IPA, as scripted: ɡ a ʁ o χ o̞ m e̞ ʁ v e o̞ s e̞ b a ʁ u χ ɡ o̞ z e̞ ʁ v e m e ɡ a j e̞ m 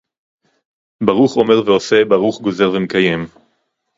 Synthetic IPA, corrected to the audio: b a ʁ u χ o̞ m e̞ ʁ v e o̞ s e̞ b a ʁ u χ ɡ o̞ z e̞ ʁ v e m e k a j e̞ m